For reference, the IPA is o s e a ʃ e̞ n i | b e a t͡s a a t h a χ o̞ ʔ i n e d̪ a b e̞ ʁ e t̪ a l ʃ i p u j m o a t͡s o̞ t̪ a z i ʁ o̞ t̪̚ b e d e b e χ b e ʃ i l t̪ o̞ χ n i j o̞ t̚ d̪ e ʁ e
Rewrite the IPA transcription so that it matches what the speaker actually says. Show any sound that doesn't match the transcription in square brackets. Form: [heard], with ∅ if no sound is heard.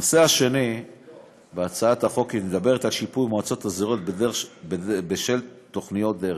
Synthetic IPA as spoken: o s e a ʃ e̞ n i | b e a t͡s a a t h a χ o̞ [k] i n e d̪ a b e̞ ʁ e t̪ a l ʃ i p u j m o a t͡s o̞ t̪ a z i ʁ o̞ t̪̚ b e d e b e [∅] b e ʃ [e] l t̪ o̞ χ n i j o̞ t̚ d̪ e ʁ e